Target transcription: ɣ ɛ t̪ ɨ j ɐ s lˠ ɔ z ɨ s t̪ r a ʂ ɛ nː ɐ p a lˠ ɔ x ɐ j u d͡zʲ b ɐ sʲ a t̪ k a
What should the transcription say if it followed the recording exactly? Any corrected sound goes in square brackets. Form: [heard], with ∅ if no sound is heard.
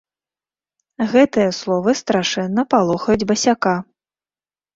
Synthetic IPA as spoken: ɣ ɛ t̪ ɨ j ɐ s lˠ ɔ [v] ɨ s t̪ [ɾ] a ʂ ɛ nː ɐ p a lˠ ɔ x ɐ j u d͡zʲ b ɐ sʲ a [∅] k a